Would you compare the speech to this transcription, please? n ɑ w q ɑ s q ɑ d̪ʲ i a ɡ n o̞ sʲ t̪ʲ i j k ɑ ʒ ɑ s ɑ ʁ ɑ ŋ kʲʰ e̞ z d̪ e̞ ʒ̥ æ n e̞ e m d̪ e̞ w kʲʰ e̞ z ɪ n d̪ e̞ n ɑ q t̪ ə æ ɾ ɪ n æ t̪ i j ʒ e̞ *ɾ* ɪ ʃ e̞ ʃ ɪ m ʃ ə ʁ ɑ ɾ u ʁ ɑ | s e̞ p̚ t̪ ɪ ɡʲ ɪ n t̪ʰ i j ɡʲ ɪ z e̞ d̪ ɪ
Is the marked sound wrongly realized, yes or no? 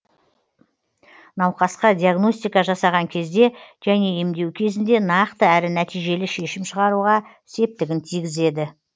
yes